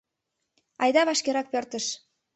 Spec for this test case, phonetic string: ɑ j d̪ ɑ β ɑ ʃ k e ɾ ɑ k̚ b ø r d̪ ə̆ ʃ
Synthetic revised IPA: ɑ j d̪ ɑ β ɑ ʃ k e ɾ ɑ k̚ p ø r t̪ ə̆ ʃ